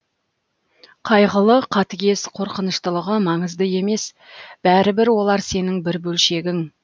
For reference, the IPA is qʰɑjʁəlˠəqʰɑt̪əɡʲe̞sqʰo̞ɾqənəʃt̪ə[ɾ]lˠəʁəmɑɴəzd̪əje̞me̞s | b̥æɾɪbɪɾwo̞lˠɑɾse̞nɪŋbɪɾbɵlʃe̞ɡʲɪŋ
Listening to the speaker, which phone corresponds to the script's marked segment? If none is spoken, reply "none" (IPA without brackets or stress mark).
none